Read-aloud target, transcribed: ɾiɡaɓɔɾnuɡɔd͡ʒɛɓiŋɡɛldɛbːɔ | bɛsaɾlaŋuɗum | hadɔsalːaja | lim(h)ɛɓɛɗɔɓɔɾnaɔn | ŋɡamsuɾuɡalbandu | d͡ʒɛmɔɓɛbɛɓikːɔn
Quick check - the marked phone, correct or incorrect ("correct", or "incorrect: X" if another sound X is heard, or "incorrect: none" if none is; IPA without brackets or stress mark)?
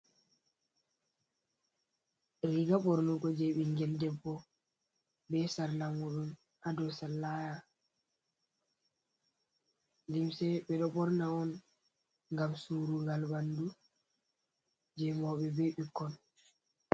incorrect: s